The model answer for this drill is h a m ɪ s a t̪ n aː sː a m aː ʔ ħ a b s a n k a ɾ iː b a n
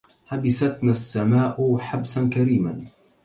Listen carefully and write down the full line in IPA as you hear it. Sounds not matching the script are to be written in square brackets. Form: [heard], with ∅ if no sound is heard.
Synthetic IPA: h a [b] ɪ s a t̪ n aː sː a m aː ʔ ħ a b s a n k a ɾ iː [m] a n